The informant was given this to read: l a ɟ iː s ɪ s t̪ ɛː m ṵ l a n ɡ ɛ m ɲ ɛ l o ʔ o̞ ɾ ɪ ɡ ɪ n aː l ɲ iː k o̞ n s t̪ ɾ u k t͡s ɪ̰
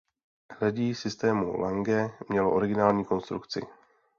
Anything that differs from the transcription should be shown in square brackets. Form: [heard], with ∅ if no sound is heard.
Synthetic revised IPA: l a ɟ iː s ɪ s t̪ ɛː m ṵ l a [ŋ] ɡ ɛ m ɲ ɛ l o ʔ o̞ ɾ ɪ ɡ ɪ n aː l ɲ iː k o̞ n s t̪ ɾ u k t͡s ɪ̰